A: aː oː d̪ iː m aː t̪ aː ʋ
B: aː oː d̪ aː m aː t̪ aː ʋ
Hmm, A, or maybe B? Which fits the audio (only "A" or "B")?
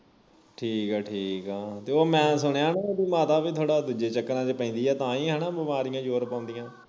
A